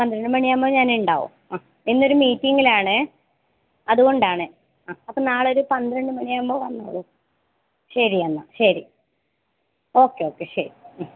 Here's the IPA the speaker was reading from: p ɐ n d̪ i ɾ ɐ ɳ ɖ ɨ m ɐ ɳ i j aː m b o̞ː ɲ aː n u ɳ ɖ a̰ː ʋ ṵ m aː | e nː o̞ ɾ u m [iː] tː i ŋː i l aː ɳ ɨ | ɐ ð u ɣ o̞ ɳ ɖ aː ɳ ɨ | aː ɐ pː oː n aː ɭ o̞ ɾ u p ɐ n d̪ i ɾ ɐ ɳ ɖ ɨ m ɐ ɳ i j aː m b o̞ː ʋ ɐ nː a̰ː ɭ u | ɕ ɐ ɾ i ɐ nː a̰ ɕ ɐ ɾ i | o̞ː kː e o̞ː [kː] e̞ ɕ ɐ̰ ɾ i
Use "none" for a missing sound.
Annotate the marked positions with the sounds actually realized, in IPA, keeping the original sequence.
iː, kː

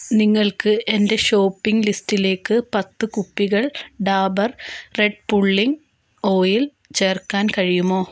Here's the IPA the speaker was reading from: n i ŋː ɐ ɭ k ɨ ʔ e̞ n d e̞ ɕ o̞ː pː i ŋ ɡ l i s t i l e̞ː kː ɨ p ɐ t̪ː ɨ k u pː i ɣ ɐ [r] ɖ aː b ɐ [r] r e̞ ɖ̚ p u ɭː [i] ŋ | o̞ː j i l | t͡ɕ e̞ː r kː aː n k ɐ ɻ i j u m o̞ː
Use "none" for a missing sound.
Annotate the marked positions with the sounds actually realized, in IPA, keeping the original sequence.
ɭ, r, i

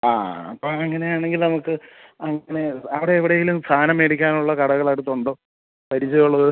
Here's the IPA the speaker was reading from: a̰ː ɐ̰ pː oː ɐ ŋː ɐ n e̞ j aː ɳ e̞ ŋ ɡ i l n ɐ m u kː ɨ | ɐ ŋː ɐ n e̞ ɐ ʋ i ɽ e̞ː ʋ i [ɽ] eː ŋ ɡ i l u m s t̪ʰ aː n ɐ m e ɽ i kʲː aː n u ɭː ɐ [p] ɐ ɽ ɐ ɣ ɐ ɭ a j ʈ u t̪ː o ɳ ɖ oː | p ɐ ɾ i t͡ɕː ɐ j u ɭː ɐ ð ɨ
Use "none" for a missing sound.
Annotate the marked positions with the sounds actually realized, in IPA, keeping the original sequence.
ɽ, k

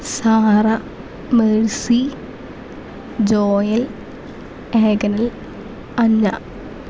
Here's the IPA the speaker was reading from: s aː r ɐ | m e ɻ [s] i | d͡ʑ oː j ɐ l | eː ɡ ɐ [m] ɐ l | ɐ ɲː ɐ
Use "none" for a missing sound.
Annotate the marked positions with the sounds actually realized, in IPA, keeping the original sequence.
s, n

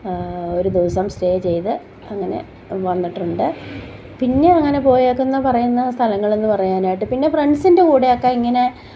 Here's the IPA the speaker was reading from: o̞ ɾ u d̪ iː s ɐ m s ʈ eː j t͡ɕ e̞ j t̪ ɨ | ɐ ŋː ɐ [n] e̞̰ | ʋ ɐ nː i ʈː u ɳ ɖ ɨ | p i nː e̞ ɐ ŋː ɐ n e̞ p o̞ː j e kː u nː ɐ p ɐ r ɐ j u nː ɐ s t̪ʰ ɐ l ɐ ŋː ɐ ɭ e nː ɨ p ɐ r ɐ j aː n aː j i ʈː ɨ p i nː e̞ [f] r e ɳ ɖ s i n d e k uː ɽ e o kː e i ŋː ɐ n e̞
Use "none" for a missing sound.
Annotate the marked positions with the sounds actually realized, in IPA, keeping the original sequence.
n, f

